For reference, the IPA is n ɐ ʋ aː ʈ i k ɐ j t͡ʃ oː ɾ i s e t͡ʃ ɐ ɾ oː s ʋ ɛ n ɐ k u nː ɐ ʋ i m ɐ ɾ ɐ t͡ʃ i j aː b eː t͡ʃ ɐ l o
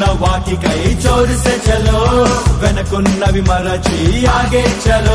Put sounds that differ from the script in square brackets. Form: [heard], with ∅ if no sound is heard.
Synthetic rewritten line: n ɐ ʋ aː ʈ i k ɐ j t͡ʃ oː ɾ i s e t͡ʃ ɐ [l] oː [∅] ʋ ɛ n ɐ k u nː ɐ ʋ i m ɐ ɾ ɐ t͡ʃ i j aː [ɡ] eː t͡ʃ ɐ l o